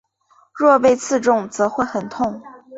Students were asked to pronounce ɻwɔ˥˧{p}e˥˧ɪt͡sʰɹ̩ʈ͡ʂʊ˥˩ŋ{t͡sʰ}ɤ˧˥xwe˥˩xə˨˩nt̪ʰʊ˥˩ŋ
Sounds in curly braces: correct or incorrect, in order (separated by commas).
correct, incorrect